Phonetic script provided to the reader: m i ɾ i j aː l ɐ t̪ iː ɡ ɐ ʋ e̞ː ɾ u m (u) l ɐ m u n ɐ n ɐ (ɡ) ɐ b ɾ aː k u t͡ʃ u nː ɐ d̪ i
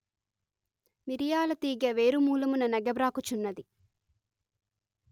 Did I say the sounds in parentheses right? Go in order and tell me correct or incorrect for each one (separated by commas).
incorrect, correct